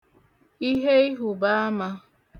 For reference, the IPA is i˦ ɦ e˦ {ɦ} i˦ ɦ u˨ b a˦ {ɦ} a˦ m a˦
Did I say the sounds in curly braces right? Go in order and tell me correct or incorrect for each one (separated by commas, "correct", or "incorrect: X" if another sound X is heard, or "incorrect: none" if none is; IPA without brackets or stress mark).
incorrect: none, incorrect: none